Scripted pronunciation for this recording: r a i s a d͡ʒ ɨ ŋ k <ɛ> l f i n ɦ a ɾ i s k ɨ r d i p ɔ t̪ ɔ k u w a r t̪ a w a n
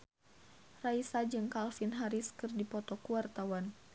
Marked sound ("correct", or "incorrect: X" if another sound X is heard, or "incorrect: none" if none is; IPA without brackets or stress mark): incorrect: a